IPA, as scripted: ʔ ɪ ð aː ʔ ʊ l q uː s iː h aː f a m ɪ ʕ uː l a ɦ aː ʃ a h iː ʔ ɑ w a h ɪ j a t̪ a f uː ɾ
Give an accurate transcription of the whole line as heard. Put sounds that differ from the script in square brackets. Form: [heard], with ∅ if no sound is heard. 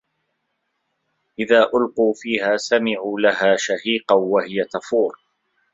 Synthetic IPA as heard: ʔ ɪ ð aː ʔ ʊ l q uː [f] iː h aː [s] a m ɪ ʕ uː l a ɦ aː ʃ a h iː [q] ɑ w a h ɪ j a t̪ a f uː ɾ